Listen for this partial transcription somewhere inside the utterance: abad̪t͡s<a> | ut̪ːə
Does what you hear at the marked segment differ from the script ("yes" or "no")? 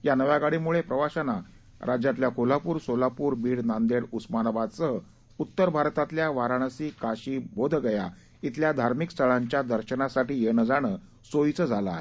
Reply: yes